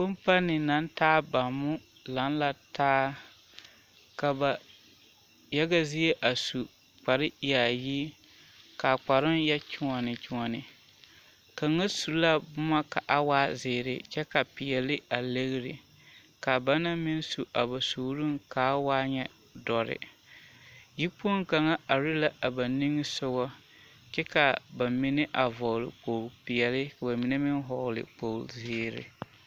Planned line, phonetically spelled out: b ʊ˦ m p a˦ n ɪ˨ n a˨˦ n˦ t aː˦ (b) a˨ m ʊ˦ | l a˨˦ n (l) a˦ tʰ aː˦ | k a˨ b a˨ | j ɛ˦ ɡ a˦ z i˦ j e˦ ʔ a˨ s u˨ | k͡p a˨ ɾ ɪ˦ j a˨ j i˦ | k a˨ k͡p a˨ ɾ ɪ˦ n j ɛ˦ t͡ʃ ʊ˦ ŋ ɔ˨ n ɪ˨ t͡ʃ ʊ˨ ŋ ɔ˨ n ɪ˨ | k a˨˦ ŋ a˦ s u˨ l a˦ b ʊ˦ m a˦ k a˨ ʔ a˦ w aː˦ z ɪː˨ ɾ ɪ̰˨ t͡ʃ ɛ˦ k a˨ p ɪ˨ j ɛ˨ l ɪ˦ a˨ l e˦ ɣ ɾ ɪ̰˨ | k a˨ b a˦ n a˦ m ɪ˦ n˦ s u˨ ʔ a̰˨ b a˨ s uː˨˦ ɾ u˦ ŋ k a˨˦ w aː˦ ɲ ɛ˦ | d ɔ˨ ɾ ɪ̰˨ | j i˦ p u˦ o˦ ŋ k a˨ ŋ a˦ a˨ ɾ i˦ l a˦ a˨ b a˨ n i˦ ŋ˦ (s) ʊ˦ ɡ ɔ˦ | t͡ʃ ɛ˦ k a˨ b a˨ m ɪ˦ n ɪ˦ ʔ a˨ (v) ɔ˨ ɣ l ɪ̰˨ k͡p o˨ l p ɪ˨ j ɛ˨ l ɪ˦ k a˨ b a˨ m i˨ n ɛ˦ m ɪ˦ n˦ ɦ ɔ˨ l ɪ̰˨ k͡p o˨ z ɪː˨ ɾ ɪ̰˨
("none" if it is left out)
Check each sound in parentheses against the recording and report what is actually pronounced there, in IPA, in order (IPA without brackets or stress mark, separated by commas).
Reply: b, l, s, v